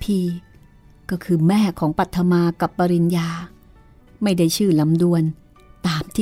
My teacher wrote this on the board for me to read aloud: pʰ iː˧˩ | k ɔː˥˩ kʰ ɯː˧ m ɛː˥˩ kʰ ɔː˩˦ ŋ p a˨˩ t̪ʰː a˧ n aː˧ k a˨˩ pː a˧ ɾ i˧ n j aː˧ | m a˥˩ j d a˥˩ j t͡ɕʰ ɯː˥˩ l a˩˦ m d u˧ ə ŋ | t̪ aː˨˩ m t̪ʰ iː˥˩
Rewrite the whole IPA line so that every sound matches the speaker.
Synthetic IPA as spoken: pʰ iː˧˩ | k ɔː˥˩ kʰ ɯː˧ m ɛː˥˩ kʰ ɔː˩˦ ŋ p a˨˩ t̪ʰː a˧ m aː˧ k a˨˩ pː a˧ ɾ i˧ n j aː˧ | m a˥˩ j d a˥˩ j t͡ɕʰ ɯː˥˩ l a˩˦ m d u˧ ə n | t̪ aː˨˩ m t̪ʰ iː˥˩